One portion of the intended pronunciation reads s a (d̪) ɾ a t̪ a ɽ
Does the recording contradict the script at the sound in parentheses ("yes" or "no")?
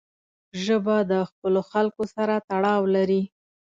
yes